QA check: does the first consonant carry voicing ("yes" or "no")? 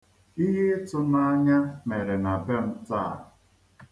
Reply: yes